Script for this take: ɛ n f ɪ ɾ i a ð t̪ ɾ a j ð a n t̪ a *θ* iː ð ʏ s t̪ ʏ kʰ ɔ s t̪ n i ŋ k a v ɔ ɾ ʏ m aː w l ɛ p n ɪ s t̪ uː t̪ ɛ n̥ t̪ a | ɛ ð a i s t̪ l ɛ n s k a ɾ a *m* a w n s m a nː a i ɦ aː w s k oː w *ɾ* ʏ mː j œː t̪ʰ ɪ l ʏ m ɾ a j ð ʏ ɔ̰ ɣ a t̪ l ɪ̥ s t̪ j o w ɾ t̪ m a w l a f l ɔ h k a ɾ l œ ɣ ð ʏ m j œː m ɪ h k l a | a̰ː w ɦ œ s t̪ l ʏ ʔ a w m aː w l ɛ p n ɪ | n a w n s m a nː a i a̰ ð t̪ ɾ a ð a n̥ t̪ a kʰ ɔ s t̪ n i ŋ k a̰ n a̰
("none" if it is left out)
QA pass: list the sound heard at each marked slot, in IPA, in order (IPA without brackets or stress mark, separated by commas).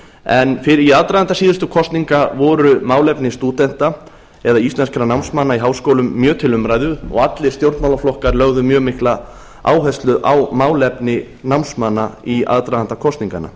s, n, l